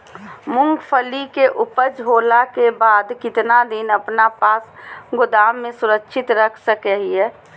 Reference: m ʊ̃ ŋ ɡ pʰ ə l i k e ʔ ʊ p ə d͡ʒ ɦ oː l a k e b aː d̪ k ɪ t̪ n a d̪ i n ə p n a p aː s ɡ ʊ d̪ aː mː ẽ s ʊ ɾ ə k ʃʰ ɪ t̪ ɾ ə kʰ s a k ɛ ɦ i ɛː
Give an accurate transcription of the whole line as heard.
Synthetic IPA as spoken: m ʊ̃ ŋ ɡ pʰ ə l i k e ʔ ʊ p ə d͡ʒ ɦ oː l a k e b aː d̪ k ɪ t̪ n a d̪ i n ə p n a p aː s ɡ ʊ d̪ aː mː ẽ s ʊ ɾ ə k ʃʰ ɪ t̪ ɾ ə kʰ s ə k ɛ ɦ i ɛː